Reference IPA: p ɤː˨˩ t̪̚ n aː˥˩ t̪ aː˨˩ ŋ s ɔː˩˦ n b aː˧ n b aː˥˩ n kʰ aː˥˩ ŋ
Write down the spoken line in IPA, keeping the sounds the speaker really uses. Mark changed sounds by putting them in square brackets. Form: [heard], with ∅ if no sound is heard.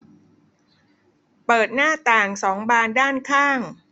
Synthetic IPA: p ɤː˨˩ t̪̚ n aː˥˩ t̪ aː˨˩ ŋ s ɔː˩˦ [ŋ] b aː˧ n [d] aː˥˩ n kʰ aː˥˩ ŋ